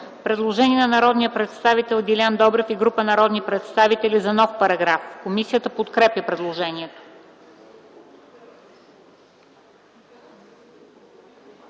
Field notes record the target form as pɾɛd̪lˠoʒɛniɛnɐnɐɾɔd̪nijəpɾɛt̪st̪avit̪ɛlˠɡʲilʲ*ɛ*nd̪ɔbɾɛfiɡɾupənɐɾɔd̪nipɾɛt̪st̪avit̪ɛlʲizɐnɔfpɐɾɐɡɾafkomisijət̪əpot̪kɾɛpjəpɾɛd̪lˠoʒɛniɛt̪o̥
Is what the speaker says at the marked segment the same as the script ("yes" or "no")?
no